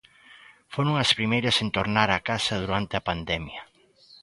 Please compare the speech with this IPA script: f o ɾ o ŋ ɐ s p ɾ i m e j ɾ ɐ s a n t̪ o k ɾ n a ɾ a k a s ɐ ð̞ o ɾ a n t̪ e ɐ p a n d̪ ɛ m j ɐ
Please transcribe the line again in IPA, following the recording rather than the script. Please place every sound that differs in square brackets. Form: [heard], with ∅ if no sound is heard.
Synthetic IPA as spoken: f o ɾ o ŋ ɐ s p ɾ i m e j ɾ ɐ s [e] n t̪ o [∅] ɾ n a ɾ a k a s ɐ ð̞ [u] ɾ a n t̪ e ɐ p a n d̪ ɛ m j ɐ